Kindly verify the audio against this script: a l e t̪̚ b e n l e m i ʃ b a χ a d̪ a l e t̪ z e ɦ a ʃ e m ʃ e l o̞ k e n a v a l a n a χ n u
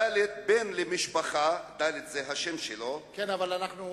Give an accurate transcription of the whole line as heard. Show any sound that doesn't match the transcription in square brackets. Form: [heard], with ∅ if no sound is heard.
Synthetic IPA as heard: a l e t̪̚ b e n l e m i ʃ [p] a χ a d̪ a l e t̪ z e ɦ a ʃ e m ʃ e l o̞ k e n a v a l a n a χ n u